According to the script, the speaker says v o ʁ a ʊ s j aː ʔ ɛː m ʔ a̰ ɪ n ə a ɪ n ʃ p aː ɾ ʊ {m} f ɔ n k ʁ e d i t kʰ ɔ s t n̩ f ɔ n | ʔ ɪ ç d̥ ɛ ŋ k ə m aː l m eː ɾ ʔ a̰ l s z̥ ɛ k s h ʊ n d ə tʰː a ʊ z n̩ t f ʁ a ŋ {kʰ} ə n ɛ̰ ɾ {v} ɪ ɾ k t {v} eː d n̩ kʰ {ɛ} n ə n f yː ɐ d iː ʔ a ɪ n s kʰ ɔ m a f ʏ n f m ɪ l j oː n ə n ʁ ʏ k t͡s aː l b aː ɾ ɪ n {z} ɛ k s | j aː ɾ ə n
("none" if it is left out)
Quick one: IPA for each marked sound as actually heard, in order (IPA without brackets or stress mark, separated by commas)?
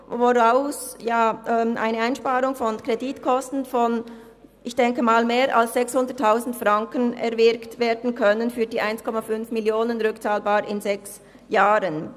ŋ, k, v, v, œ, z